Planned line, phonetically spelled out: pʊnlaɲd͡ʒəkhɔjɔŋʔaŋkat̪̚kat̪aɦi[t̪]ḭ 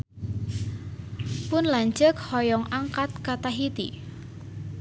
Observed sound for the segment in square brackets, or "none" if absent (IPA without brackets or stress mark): t̪